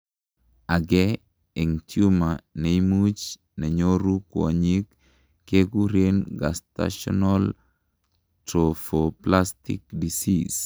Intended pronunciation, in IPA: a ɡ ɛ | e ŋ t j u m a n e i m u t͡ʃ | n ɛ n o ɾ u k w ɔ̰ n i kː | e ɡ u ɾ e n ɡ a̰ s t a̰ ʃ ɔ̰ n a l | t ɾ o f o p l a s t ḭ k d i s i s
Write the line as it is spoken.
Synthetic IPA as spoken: a ɡ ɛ | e ŋ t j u m a n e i m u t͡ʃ | n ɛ ɲ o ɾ u k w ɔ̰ ɲ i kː | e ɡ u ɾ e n ɡ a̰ s t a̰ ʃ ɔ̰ n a l | t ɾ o f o p l a s t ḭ k d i s i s